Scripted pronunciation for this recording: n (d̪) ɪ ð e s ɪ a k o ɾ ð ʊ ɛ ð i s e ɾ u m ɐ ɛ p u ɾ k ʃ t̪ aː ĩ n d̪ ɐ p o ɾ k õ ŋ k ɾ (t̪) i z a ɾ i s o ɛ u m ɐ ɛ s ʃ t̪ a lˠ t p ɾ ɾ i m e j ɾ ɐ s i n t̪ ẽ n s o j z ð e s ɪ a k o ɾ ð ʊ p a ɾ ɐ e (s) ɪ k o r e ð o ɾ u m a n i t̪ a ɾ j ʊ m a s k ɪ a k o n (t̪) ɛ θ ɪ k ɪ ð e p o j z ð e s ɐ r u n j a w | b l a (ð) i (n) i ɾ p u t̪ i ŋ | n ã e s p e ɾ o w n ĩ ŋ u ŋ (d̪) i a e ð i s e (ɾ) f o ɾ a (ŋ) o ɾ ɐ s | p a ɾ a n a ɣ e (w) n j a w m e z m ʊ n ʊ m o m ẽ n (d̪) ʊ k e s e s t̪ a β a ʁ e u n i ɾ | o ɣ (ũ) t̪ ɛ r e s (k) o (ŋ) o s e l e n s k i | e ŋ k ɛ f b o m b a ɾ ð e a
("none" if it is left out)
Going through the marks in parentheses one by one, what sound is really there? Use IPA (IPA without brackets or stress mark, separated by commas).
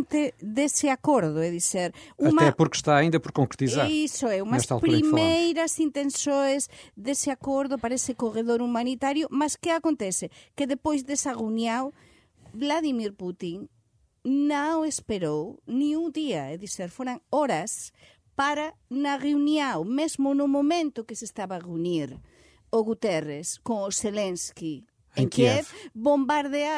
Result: t̪, t̪, s, t̪, ð, m, d̪, ɾ, ŋ, u, t̪, u, k, ŋ